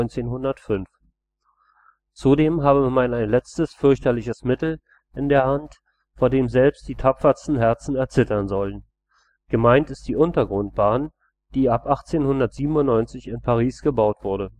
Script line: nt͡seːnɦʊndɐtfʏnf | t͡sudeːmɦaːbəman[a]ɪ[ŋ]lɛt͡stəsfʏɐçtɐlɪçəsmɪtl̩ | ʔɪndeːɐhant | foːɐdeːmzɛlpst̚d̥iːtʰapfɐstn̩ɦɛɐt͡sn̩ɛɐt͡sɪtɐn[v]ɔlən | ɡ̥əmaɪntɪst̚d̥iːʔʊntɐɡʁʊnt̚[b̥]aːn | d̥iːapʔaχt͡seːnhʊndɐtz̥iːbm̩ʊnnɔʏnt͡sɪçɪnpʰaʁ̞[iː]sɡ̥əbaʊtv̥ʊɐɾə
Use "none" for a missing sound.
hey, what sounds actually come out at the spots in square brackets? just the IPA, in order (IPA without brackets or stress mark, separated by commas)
a, n, z, b̥, iː